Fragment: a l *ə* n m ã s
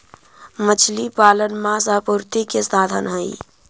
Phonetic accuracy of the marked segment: correct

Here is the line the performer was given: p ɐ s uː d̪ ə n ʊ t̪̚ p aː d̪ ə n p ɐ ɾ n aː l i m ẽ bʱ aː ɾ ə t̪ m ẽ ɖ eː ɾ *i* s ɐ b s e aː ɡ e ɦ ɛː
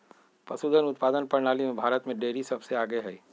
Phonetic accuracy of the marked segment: correct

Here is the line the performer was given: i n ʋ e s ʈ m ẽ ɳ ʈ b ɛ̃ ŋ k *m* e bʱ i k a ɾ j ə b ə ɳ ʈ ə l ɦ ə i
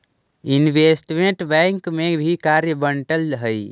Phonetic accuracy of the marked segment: correct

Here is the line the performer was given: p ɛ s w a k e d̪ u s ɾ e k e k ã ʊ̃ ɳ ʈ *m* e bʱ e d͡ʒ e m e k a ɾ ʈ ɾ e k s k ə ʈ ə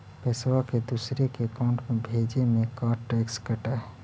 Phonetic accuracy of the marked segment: correct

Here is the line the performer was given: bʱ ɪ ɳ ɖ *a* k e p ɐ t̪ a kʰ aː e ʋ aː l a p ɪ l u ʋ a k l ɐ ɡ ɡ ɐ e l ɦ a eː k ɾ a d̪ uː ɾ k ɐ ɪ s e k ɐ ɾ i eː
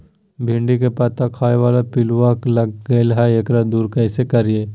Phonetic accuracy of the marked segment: incorrect: i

